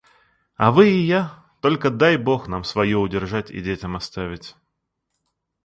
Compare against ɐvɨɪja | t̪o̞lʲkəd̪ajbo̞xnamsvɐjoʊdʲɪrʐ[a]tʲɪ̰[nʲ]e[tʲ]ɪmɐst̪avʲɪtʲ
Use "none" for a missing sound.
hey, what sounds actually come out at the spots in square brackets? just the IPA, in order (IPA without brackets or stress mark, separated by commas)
a, dʲ, tʲ